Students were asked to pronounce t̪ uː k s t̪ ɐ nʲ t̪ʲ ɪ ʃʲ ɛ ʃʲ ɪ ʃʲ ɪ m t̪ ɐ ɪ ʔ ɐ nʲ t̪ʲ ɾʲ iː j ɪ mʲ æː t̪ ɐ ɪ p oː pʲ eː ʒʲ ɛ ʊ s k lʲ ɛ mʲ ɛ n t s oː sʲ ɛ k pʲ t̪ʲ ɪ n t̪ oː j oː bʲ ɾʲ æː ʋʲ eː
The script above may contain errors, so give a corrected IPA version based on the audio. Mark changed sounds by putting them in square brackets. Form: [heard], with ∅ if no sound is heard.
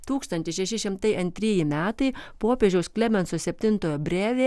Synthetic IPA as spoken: t̪ uː k s t̪ ɐ nʲ t̪ʲ ɪ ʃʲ ɛ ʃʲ ɪ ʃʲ ɪ m t̪ ɐ ɪ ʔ ɐ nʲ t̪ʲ ɾʲ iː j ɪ mʲ æː t̪ ɐ ɪ p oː pʲ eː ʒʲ ɛ ʊ s k lʲ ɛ mʲ ɛ n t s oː sʲ ɛ [∅] pʲ t̪ʲ ɪ n t̪ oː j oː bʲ ɾʲ æː ʋʲ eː